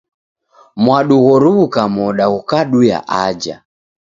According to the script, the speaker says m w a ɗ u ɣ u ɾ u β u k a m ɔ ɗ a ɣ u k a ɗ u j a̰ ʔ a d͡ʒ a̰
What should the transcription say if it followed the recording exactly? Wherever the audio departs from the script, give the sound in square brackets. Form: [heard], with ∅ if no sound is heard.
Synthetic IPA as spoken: m w a ɗ u ɣ [ɔ] ɾ u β u k a m ɔ ɗ a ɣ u k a ɗ u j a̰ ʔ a d͡ʒ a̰